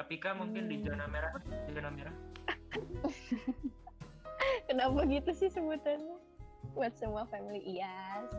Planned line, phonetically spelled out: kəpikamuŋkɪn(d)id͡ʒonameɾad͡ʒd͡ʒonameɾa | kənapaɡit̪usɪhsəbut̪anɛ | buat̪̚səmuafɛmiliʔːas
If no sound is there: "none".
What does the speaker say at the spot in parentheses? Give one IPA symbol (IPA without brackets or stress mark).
d